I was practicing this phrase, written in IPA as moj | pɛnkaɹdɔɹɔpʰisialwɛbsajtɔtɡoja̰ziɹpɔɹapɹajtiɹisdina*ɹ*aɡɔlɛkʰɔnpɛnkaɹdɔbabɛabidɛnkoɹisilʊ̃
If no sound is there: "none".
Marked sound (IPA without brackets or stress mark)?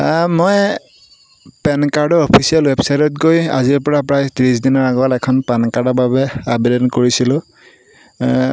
ɹ